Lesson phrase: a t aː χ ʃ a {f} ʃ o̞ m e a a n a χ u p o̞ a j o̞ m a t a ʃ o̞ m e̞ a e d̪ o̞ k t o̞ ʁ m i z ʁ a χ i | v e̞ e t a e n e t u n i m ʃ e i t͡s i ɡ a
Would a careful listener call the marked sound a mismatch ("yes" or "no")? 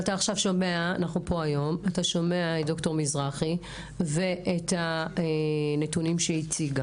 yes